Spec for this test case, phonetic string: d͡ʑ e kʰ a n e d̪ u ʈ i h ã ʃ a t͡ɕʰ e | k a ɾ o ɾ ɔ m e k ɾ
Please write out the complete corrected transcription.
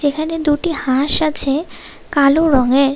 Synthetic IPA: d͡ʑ e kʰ a n e d̪ u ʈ i h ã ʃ a t͡ɕʰ e | k a l o ɾ ɔ ŋ e ɾ